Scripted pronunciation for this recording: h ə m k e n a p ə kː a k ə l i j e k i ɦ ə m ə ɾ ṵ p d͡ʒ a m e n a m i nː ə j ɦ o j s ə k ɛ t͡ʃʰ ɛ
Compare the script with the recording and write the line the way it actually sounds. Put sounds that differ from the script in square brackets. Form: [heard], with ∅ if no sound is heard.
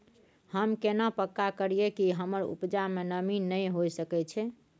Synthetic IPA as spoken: h ə m k e n a p ə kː a k ə [ɾ] i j e k i ɦ ə m ə ɾ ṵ p d͡ʒ a m e n [ə] m i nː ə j ɦ o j s ə k ɛ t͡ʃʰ ɛ